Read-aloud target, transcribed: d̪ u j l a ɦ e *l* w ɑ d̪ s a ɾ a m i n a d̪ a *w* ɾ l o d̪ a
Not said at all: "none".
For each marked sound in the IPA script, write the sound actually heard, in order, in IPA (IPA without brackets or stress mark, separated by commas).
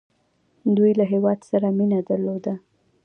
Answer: none, none